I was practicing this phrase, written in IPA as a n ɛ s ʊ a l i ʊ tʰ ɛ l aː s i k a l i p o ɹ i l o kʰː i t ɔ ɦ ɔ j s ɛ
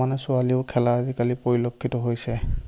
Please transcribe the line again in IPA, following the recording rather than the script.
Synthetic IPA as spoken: a n ɛ s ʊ a l i ʊ kʰ ɛ l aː z i k a l i p o ɹ i l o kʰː i t ɔ ɦ o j s ɛ